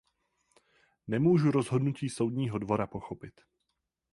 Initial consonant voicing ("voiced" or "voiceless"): voiced